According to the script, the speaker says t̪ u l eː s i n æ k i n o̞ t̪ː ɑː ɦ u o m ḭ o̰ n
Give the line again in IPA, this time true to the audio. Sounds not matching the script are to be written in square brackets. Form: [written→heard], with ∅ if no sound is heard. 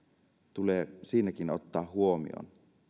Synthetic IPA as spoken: t̪ u l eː s [i→iː] n æ k i n o̞ t̪ː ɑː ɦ u o m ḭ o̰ n